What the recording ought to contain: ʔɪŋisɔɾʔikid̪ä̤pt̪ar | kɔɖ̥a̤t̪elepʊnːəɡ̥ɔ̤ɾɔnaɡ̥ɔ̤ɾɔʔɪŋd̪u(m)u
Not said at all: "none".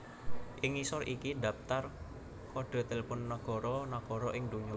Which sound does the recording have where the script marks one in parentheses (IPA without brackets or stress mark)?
ɲ